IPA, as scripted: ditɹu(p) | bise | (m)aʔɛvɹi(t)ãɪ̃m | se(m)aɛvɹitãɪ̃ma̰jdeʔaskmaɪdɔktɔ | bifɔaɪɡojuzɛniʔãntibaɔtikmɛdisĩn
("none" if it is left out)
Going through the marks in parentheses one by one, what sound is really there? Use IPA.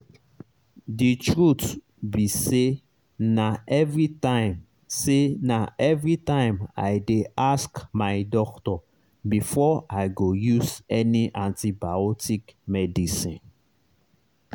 t, n, t, n

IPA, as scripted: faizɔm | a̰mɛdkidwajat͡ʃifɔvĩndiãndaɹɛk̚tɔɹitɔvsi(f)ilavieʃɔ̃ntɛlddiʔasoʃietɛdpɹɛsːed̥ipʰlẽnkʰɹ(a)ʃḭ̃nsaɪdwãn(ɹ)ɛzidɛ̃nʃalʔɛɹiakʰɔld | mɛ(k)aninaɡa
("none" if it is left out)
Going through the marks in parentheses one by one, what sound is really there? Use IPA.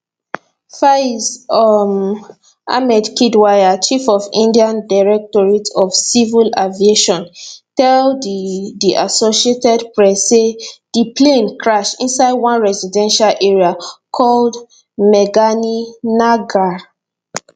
v, a, ɹ, ɡ

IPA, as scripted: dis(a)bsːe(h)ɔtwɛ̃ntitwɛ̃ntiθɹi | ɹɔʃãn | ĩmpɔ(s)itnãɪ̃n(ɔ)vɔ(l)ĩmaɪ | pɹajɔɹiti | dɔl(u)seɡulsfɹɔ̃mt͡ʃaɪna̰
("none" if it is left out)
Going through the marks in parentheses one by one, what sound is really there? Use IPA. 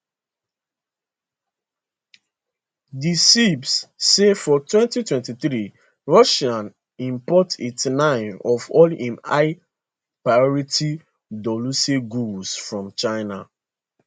i, f, t, ɔ, l, u

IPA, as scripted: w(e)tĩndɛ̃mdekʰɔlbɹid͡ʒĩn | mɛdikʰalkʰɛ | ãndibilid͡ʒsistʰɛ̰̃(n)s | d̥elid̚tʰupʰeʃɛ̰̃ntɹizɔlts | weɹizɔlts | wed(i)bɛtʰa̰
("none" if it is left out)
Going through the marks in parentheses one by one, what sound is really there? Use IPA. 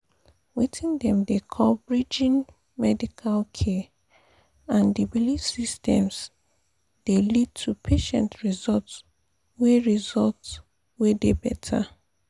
i, m, e

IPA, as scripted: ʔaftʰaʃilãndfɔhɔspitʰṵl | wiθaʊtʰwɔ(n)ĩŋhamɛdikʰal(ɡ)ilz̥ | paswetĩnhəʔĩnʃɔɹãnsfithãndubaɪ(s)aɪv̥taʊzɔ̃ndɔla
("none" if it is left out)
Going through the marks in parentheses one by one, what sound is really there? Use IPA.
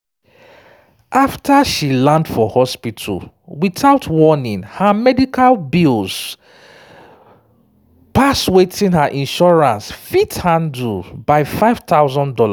n, b, f

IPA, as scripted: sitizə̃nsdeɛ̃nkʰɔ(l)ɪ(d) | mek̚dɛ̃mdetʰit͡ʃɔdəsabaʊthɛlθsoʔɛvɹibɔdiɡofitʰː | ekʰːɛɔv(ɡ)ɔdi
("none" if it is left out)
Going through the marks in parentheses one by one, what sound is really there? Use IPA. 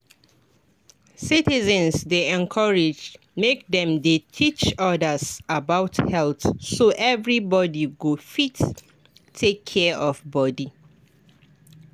ɹ, d͡ʒ, b

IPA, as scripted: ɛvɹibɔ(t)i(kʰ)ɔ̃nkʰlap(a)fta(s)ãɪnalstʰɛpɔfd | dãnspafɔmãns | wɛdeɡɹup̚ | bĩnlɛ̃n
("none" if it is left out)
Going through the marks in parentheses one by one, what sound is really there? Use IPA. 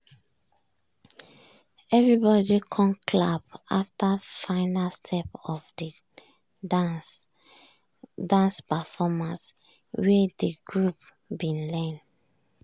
d, kʰ, a, f

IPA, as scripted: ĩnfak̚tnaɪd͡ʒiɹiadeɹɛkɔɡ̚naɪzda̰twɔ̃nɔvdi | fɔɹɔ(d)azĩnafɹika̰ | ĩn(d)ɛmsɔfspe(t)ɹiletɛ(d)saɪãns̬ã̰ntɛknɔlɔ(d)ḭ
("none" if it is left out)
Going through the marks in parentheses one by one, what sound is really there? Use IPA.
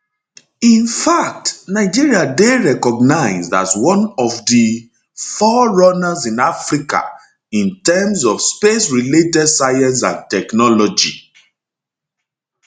n, t, s, d, d͡ʒ

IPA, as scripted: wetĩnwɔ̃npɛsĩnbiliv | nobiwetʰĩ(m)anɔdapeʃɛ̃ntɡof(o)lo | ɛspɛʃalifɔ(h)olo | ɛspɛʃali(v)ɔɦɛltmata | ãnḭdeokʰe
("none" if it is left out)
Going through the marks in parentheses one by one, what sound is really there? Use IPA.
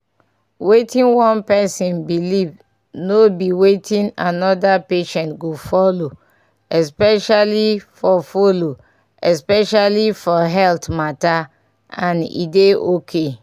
n, ɔ, f, f

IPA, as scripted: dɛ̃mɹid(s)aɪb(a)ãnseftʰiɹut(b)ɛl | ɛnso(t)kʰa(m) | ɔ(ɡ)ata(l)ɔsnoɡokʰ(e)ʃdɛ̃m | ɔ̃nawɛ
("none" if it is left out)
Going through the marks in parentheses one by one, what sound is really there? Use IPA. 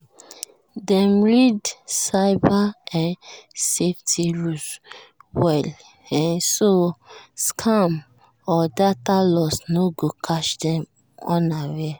s, a, w, s, m, d, l, a

